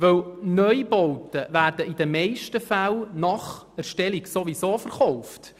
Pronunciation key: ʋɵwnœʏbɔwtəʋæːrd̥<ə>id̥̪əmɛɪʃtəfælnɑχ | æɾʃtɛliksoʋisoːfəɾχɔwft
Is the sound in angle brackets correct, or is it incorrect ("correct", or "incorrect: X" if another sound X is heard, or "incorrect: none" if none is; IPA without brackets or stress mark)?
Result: correct